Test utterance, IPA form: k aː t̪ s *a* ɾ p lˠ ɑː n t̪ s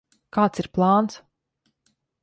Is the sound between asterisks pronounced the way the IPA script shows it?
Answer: no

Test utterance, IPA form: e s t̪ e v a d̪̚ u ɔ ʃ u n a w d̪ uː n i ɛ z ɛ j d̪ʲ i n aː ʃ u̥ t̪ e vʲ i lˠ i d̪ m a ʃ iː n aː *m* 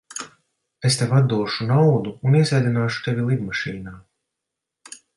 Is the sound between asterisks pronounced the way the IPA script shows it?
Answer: no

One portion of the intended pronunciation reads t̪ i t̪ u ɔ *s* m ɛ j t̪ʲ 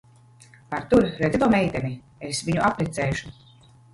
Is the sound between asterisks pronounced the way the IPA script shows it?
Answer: no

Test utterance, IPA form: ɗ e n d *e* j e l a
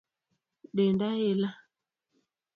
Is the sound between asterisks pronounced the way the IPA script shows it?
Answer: no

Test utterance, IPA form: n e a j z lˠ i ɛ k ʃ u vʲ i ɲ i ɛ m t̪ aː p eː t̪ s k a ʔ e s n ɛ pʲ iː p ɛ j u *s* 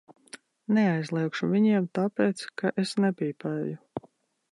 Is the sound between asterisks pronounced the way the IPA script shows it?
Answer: no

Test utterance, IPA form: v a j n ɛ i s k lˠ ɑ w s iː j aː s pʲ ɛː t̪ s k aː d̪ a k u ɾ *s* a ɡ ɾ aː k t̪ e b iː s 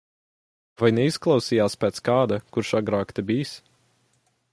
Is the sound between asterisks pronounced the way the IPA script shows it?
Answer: no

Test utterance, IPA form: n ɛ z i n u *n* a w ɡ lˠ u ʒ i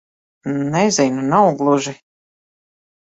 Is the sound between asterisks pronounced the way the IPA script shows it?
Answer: yes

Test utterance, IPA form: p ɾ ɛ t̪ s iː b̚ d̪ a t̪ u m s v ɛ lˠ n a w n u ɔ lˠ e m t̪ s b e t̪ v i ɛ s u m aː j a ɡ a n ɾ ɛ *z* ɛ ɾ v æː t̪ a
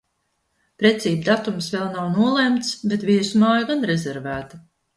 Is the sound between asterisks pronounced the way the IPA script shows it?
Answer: yes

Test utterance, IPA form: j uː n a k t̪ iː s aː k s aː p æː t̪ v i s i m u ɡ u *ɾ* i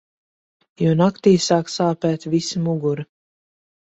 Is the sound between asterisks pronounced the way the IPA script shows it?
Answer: yes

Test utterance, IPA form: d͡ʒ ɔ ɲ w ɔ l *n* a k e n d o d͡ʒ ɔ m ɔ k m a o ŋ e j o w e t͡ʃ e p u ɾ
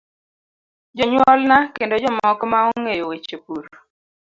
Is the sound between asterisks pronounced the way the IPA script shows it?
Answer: yes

